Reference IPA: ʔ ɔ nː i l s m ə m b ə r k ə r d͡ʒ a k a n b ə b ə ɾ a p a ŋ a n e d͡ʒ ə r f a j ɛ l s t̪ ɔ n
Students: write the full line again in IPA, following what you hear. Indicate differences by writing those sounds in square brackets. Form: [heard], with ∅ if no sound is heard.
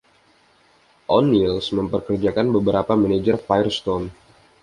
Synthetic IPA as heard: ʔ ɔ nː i l s m ə m [p] ə r k ə r d͡ʒ a k a n b ə b ə ɾ a p a [m] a n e d͡ʒ ə r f a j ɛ [r] s t̪ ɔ n